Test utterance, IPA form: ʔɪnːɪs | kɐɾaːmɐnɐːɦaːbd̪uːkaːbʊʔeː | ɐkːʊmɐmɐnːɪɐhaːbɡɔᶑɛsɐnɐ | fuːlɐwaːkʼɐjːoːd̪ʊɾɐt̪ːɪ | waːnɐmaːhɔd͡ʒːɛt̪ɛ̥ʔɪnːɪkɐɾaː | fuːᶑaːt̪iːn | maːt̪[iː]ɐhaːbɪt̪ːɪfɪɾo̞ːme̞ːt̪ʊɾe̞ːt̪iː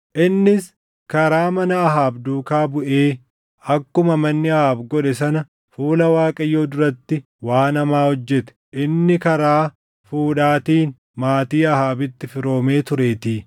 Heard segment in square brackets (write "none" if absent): iː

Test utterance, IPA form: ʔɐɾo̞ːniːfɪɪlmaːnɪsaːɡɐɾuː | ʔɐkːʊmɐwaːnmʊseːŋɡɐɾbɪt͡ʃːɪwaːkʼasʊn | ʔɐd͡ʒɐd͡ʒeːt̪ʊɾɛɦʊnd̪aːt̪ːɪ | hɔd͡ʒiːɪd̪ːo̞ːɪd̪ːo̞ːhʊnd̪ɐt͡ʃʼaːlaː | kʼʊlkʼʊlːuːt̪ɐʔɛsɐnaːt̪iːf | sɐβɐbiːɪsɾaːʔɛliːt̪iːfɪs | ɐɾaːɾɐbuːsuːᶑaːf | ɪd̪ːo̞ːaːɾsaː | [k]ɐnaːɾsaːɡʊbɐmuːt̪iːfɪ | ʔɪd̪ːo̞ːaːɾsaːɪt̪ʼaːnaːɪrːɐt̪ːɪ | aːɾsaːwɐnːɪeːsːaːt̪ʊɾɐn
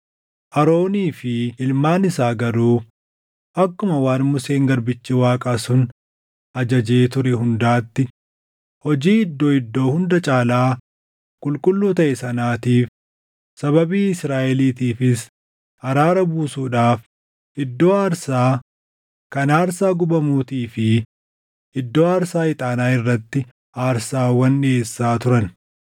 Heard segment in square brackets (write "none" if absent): k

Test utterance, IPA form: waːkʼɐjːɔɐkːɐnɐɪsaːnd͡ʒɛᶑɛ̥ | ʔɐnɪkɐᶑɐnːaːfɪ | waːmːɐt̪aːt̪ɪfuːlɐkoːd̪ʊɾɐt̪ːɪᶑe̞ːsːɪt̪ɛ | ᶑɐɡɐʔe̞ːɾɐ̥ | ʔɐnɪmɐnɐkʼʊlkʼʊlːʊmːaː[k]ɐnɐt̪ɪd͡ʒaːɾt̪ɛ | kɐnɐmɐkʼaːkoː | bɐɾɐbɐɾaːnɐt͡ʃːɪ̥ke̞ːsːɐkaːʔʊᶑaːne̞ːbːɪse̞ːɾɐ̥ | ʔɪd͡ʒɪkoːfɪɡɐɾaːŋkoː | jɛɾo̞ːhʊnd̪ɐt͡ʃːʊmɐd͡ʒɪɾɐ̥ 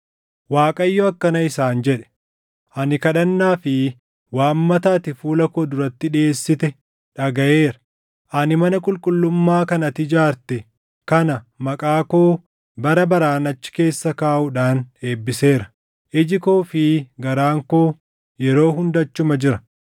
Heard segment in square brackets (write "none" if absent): k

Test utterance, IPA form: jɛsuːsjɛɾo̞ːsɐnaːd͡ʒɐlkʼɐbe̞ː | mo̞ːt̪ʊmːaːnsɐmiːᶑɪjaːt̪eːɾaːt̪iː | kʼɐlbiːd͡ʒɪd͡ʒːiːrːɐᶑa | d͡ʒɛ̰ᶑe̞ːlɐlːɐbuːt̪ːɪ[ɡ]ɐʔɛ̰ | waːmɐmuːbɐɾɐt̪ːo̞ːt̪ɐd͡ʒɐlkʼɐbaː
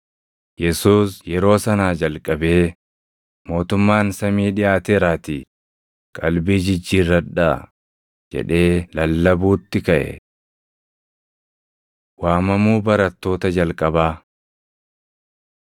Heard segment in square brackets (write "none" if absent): k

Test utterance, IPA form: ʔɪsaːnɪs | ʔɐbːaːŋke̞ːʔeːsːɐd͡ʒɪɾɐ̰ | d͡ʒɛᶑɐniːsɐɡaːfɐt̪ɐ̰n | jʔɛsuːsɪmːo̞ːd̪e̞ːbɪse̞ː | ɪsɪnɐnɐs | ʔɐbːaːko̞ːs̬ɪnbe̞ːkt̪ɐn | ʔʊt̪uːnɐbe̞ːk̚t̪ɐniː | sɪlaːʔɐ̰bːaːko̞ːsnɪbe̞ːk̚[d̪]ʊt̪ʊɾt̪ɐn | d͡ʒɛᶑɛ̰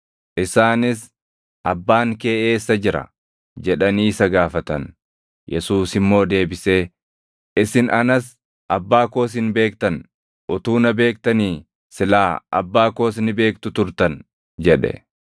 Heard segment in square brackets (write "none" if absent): t̪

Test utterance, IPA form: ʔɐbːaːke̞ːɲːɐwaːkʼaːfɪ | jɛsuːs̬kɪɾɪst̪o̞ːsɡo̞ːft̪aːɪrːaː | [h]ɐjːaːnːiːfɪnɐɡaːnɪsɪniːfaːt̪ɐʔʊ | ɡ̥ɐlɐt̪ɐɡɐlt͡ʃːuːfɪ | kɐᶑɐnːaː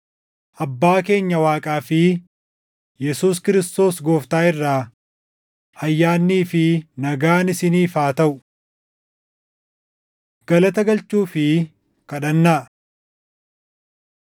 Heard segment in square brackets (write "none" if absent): h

